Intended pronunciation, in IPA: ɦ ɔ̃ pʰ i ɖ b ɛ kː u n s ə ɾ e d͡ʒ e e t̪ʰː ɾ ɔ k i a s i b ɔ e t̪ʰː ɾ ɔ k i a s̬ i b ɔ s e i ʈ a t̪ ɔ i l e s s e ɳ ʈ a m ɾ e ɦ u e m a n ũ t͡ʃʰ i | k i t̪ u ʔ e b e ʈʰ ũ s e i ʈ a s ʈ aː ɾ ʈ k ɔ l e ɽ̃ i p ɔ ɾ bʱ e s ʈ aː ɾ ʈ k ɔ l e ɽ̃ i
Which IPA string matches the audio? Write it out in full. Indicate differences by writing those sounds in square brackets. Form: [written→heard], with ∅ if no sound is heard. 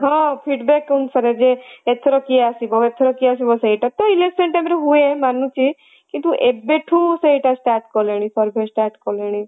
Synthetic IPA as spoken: ɦ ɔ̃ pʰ i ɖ b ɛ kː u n s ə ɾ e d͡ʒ e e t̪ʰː ɾ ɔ k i a s i b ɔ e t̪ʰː ɾ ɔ k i a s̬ i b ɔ s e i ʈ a t̪ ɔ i l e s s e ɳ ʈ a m ɾ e ɦ u e m a n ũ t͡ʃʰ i | k i t̪ u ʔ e b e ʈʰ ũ s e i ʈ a s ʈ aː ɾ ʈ k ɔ l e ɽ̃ i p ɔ ɾ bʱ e s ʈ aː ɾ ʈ k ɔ l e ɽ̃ i